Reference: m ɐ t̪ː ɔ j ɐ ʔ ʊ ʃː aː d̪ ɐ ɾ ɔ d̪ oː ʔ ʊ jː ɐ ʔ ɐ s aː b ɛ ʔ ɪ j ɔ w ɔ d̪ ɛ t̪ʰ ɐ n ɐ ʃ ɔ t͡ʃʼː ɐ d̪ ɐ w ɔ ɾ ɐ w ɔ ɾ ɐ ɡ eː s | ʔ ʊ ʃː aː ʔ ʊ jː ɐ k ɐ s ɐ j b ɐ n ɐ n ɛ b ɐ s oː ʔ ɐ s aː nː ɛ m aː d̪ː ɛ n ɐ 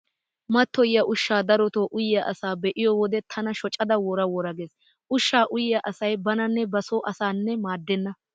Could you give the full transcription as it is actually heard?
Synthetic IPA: m ɐ t̪ː ɔ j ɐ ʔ ʊ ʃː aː d̪ ɐ ɾ ɔ t̪ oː ʔ ʊ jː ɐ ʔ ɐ s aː b ɛ ʔ ɪ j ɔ w ɔ d̪ ɛ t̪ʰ ɐ n ɐ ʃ ɔ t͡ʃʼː ɐ d̪ ɐ w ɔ ɾ ɐ w ɔ ɾ ɐ ɡ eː s | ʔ ʊ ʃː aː ʔ ʊ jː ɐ ʔ ɐ s ɐ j b ɐ n ɐ nː ɛ b ɐ s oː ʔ ɐ s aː nː ɛ m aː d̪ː ɛ nː ɐ